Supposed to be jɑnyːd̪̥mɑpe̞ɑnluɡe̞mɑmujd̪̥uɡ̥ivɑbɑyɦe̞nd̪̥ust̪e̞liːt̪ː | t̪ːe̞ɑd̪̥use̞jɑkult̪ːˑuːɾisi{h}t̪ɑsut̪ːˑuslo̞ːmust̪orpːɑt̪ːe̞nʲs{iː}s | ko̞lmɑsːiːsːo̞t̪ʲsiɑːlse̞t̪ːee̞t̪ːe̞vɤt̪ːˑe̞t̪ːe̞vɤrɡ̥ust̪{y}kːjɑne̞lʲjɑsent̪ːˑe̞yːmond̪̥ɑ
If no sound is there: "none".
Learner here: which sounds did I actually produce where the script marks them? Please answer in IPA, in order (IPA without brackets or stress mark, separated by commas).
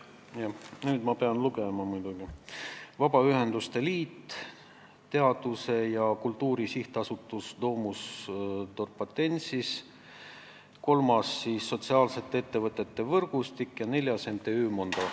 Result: h, i, i